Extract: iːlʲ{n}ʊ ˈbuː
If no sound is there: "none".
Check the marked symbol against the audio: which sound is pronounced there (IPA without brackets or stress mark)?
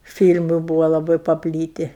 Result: m